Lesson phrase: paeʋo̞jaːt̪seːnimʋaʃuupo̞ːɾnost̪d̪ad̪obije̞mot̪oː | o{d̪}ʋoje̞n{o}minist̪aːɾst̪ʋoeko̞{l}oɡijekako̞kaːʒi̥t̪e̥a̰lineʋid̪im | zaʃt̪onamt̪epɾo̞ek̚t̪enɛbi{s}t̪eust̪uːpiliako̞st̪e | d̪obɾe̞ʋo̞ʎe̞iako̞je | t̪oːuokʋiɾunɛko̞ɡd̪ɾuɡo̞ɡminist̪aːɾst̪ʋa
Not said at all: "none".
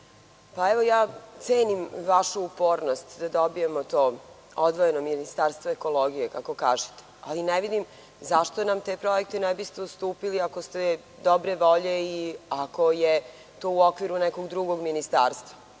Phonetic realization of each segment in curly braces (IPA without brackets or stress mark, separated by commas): d̪, o, l, s